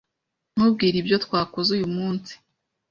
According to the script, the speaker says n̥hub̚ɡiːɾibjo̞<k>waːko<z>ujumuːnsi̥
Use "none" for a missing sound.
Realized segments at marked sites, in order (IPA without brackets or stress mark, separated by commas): t, z